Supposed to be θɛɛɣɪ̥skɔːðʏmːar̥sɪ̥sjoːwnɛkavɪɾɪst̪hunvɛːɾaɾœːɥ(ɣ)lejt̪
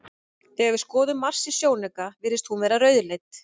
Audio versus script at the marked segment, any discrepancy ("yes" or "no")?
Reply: yes